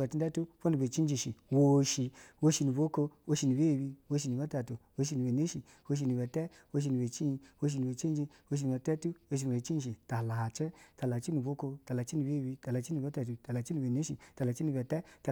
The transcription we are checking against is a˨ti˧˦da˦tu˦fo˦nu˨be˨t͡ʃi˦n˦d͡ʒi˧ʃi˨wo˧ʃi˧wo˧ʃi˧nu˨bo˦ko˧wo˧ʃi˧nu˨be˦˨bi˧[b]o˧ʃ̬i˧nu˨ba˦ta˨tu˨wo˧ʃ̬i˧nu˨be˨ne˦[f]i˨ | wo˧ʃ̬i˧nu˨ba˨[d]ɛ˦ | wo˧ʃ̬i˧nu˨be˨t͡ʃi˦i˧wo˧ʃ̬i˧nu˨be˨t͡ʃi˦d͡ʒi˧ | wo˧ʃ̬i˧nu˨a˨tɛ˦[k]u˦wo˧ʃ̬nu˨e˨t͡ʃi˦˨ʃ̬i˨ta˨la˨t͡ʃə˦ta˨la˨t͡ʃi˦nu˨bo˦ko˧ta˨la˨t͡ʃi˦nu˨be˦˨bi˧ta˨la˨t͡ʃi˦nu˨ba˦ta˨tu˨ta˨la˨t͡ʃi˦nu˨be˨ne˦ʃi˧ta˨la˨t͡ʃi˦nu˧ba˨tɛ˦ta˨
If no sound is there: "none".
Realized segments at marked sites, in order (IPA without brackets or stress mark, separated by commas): w, ʃ, t, t